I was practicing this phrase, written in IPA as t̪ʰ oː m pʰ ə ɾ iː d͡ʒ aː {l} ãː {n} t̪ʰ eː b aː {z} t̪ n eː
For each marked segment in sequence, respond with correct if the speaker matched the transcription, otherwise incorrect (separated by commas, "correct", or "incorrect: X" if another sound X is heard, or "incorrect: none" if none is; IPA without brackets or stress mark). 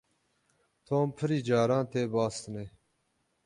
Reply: incorrect: ɾ, correct, incorrect: s